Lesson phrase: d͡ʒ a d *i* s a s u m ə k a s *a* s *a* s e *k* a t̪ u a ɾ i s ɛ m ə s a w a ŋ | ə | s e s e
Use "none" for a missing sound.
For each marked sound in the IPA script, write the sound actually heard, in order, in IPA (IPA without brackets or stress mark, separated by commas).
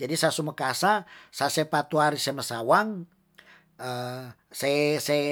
i, a, a, p